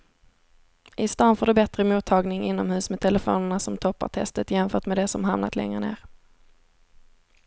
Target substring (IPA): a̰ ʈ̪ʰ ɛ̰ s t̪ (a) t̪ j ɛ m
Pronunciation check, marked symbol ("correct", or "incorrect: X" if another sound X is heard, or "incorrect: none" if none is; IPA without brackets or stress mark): incorrect: ə